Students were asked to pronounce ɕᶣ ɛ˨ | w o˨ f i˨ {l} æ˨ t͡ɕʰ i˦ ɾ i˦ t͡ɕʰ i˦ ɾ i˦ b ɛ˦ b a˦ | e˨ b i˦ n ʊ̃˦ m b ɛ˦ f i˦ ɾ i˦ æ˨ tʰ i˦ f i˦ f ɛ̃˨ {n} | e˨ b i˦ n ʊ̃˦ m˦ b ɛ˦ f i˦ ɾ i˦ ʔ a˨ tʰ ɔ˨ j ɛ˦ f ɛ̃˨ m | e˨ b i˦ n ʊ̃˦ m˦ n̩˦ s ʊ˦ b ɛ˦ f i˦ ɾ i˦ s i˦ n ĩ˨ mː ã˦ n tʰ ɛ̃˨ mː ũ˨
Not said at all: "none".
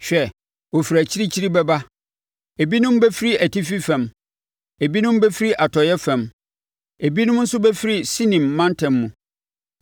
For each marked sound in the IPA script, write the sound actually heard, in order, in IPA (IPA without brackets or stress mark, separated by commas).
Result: ɾ, m